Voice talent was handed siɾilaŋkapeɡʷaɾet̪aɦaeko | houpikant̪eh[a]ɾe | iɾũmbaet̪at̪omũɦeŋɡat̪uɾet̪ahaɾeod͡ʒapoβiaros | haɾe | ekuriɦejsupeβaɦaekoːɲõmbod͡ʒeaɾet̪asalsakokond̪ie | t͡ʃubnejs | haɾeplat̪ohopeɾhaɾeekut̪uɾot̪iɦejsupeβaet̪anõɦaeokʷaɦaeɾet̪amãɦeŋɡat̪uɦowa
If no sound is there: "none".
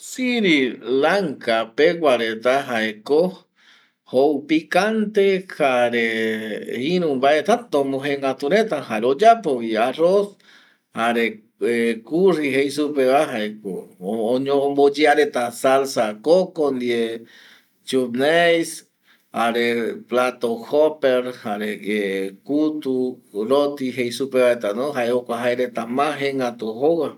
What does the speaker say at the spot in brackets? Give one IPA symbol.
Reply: a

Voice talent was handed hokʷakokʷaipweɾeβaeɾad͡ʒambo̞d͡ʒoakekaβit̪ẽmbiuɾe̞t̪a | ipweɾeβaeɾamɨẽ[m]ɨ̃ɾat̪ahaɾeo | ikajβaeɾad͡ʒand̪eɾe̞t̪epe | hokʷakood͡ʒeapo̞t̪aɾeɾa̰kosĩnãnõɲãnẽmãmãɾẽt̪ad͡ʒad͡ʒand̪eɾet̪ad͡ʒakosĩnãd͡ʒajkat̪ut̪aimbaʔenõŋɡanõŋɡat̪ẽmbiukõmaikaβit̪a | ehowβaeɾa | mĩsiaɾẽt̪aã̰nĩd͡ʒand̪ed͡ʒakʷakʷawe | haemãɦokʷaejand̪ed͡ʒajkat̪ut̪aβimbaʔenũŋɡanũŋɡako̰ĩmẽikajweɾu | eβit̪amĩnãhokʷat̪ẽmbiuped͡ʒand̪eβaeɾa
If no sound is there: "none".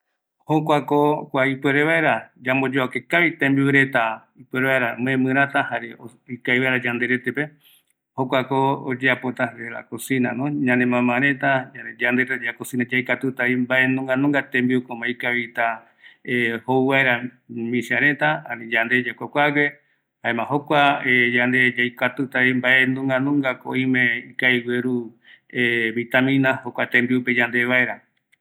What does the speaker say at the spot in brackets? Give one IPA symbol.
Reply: m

